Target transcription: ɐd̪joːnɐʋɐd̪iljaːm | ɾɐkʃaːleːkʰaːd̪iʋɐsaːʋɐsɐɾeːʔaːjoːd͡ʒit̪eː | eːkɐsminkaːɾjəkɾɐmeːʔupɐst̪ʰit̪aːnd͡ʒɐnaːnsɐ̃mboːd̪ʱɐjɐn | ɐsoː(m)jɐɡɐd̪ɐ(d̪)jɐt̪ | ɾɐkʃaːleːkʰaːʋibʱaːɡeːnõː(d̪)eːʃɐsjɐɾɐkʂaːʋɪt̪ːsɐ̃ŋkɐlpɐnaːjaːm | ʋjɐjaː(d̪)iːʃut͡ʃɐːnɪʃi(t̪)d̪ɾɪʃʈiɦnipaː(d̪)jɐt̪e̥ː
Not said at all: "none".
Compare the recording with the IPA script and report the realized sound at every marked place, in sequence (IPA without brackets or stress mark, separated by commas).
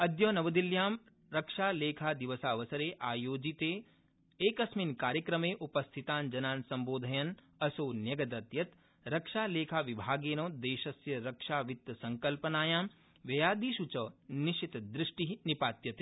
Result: n, t̪, d̪, d̪, t̪, t̪